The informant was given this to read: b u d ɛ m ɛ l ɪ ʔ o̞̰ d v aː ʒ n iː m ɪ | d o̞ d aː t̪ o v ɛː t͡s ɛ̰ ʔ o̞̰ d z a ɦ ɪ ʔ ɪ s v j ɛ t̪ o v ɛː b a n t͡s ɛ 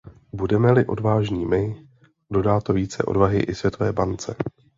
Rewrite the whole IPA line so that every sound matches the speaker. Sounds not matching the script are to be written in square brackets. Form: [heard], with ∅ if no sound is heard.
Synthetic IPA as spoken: b u d ɛ m ɛ l ɪ ʔ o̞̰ d v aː ʒ [ɲ] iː m ɪ | d o̞ d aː t̪ o v [iː] t͡s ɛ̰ ʔ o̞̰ d [v] a ɦ ɪ ʔ ɪ s v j ɛ t̪ o v ɛː b a n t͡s ɛ